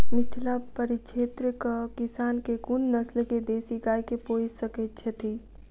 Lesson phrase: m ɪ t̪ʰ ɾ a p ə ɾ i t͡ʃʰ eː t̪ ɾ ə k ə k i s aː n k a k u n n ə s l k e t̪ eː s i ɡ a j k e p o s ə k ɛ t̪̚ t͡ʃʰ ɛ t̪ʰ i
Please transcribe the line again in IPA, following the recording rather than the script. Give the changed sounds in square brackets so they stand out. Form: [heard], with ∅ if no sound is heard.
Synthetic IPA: m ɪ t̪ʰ [l] a p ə ɾ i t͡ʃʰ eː t̪ ɾ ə k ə k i s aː n k [e] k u n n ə s l k e [d̪] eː s i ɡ a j k e p o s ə k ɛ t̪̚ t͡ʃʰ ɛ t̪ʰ i